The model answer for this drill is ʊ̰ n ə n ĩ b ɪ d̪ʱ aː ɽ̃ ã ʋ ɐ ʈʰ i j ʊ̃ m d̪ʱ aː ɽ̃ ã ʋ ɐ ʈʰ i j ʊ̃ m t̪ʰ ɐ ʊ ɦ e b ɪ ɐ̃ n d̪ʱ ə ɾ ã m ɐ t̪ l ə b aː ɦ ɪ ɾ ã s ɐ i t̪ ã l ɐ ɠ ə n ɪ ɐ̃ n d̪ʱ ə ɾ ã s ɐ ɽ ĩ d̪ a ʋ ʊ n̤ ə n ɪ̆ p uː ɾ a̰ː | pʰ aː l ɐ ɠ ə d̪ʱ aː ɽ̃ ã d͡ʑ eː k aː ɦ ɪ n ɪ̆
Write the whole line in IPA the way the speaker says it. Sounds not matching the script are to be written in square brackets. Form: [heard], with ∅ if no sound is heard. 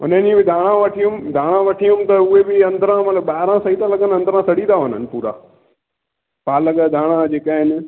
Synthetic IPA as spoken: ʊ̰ n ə n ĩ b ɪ d̪ʱ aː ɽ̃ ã ʋ ɐ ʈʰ i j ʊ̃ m d̪ʱ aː ɽ̃ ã ʋ ɐ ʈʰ i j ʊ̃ m [t̪] ɐ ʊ ɦ e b ɪ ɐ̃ n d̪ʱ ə ɾ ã m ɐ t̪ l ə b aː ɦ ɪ ɾ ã s ɐ i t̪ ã l ɐ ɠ ə n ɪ ɐ̃ n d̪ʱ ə ɾ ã s ɐ ɽ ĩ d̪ a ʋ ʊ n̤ ə n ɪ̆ p uː ɾ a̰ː | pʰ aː l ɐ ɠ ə d̪ʱ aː ɽ̃ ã d͡ʑ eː k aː ɦ ɪ n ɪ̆

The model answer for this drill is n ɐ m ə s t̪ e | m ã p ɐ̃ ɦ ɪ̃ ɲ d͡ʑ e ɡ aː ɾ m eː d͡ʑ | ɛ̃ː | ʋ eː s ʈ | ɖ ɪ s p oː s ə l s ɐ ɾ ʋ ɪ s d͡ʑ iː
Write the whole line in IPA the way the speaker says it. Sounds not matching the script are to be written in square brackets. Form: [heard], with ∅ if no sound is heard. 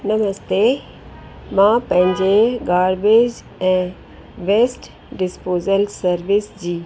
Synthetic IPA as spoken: n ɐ m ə s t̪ e | m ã p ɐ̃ ɦ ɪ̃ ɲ d͡ʑ e ɡ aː ɾ [b] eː d͡ʑ | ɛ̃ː | ʋ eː s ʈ | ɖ ɪ s p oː [z] ə l s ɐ ɾ ʋ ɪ s d͡ʑ iː

